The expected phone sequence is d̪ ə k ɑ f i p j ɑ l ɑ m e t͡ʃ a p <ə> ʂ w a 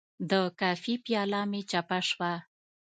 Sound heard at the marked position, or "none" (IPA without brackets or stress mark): a